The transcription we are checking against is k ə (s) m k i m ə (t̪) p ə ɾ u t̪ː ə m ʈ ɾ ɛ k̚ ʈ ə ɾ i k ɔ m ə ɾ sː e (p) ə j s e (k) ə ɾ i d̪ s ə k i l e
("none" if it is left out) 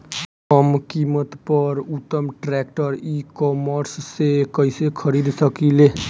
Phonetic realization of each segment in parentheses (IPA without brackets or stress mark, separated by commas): none, t̪, k, kʰ